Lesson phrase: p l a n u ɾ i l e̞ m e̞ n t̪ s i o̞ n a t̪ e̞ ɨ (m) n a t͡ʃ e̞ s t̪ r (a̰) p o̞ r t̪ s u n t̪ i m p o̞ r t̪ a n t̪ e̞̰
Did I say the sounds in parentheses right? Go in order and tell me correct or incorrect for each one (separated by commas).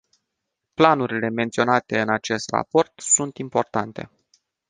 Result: incorrect, correct